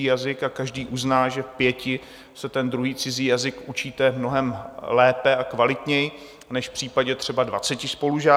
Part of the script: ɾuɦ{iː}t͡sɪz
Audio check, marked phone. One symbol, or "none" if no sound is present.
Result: iː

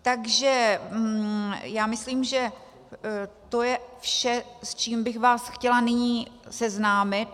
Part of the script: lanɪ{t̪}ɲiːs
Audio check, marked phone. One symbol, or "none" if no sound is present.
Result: none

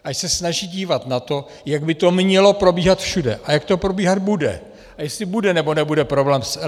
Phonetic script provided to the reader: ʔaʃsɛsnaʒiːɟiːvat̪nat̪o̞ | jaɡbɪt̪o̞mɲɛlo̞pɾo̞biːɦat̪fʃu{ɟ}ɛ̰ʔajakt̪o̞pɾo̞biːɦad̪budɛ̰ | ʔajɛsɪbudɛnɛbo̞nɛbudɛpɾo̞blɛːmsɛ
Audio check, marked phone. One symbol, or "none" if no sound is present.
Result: d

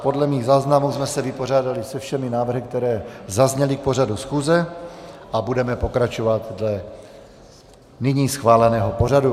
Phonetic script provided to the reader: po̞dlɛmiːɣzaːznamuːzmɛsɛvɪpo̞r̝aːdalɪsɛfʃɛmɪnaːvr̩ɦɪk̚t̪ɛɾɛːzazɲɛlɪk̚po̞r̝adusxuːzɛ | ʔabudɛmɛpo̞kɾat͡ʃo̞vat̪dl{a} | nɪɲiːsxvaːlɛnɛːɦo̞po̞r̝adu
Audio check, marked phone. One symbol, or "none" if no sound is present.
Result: ɛ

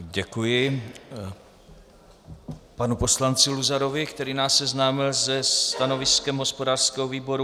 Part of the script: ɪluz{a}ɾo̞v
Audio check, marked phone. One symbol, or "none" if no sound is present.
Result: a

